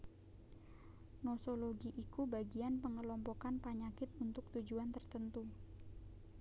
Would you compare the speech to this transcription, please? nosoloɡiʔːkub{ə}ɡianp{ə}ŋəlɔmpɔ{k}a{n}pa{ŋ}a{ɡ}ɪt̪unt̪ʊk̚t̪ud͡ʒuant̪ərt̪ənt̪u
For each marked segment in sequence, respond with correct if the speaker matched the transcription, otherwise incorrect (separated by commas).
incorrect, correct, correct, correct, incorrect, incorrect